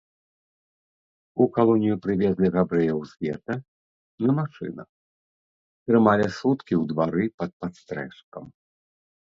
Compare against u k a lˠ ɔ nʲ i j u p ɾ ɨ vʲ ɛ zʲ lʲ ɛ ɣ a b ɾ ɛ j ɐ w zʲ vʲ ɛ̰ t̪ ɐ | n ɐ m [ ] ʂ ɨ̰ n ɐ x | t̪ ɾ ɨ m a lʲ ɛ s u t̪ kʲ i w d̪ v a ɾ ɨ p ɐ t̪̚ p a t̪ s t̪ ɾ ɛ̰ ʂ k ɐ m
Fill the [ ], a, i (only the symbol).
a